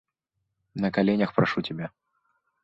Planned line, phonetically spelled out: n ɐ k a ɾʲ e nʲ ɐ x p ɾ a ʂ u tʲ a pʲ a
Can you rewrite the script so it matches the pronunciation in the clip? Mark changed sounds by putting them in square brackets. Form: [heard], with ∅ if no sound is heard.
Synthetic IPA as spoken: n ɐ k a [lʲ] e nʲ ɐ x p ɾ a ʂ u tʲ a [bʲ] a

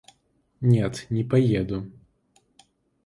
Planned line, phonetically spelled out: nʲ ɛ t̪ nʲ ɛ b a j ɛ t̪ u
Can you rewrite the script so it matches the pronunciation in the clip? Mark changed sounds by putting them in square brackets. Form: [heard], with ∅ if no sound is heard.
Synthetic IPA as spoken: nʲ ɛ t̪ nʲ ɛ [p] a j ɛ [d̪] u

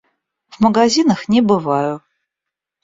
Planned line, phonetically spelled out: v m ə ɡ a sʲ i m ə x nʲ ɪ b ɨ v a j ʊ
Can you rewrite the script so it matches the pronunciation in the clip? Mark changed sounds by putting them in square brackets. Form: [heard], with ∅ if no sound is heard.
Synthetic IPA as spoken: v m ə ɡ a [zʲ] i [n] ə x nʲ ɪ b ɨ v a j ʊ

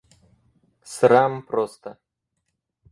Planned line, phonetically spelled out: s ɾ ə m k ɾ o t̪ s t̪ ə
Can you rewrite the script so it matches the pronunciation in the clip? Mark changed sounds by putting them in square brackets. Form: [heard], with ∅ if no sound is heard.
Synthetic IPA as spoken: s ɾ [a] m [p] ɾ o [∅] s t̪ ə

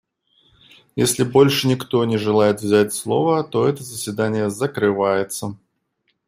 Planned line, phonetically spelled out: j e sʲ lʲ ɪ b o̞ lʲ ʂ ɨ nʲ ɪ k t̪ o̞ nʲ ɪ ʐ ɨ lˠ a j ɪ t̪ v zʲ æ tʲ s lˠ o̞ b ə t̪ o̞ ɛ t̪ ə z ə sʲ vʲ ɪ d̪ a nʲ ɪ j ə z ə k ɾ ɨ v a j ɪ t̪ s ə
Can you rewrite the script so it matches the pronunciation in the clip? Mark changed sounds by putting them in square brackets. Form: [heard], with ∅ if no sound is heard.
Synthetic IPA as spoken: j e sʲ lʲ ɪ b o̞ lʲ ʂ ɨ nʲ ɪ k t̪ o̞ nʲ ɪ ʐ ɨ lˠ a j ɪ t̪ v zʲ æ tʲ s lˠ o̞ [v] ə t̪ o̞ ɛ t̪ ə z ə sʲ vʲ ɪ d̪ a nʲ ɪ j ə z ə k ɾ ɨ v a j ɪ t̪ s ə

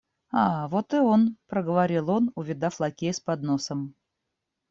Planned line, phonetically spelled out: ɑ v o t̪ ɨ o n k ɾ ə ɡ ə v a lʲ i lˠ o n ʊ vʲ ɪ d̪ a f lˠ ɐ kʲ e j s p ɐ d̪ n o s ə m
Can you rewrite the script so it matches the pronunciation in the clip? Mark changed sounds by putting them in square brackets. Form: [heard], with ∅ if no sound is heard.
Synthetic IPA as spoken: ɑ v o t̪ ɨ o n [p] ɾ ə ɡ ə v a [ɾʲ] i lˠ o n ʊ vʲ ɪ d̪ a f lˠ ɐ kʲ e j s p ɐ d̪ n o s ə m

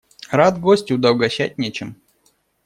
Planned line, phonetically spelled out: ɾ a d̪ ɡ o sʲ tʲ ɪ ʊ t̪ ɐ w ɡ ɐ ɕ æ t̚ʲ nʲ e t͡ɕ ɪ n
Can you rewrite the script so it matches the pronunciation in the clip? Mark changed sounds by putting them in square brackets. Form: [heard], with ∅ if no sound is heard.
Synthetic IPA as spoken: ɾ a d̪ ɡ o sʲ tʲ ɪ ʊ [d̪] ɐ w ɡ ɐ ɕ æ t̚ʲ nʲ e t͡ɕ ɪ [m]

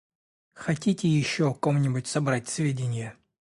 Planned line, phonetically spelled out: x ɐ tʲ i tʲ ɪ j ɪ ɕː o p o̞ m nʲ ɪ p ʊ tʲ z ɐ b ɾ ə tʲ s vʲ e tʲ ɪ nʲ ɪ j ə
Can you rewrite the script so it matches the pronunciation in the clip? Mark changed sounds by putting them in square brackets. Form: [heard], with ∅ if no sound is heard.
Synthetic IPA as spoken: x ɐ tʲ i tʲ ɪ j ɪ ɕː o [k] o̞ m nʲ ɪ [b] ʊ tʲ [s] ɐ b ɾ [a] tʲ s vʲ e [dʲ] ɪ nʲ ɪ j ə

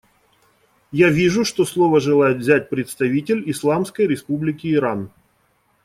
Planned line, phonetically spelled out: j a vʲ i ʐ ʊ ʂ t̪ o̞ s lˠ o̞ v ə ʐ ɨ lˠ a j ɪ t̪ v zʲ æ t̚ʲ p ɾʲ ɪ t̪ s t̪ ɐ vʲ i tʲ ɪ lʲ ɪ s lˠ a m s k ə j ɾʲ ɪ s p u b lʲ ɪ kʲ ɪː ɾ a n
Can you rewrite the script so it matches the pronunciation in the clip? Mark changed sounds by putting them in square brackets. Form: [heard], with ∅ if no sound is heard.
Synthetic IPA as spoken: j a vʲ i ʐ ʊ ʂ t̪ o̞ s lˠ o̞ v ə ʐ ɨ lˠ a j ɪ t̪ v zʲ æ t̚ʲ p ɾʲ ɪ t̪ s t̪ ɐ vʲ i tʲ ɪ lʲ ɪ s lˠ a m s k ə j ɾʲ ɪ s p u b lʲ ɪ kʲ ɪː ɾ a n

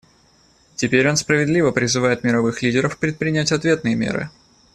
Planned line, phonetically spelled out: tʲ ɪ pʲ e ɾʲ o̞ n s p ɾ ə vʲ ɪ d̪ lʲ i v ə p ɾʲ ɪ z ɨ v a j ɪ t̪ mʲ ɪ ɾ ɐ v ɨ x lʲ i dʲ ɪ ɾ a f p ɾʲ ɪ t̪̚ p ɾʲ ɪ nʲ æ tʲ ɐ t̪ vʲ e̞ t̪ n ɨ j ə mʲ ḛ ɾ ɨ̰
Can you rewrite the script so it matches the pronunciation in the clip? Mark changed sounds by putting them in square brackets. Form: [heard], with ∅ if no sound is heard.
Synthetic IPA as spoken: tʲ ɪ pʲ e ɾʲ o̞ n s p ɾ ə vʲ ɪ d̪ lʲ i v ə p ɾʲ ɪ z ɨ v a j ɪ t̪ mʲ ɪ ɾ ɐ v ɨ x lʲ i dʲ ɪ ɾ [ə] f p ɾʲ ɪ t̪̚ p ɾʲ ɪ nʲ æ tʲ ɐ t̪ vʲ e̞ t̪ n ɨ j ə mʲ ḛ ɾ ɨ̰

